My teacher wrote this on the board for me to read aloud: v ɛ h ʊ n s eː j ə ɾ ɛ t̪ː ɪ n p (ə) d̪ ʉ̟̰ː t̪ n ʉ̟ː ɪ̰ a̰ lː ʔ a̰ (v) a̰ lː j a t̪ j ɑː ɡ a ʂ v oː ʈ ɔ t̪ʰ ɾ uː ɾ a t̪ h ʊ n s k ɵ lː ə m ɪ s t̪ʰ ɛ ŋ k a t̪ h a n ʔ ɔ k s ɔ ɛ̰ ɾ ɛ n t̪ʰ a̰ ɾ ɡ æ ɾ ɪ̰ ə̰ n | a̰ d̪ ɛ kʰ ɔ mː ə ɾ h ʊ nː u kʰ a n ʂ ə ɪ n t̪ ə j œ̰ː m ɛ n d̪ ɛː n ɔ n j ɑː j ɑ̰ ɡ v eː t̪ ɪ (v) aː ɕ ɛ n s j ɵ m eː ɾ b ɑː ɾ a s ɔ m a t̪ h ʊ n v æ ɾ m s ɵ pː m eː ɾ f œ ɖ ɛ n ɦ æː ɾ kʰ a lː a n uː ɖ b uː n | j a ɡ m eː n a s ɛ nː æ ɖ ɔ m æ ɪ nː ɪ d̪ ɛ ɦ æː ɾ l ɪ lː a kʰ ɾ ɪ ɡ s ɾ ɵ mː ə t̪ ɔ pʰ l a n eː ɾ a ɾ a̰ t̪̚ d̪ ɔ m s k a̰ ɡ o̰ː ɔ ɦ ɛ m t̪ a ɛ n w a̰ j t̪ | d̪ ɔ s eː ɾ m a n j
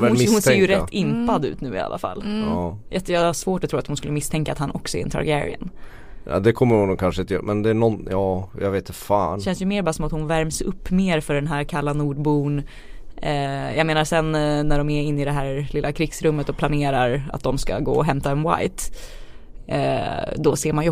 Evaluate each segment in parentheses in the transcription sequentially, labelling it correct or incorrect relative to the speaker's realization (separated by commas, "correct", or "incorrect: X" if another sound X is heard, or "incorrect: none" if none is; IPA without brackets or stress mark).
incorrect: a, incorrect: f, incorrect: f